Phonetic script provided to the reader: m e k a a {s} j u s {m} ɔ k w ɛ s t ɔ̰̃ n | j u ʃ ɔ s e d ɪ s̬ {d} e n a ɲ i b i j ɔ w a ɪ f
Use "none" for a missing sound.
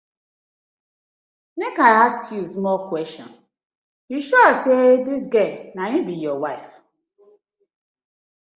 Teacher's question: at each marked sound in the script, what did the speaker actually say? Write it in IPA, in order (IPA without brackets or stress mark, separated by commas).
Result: s, m, ɡ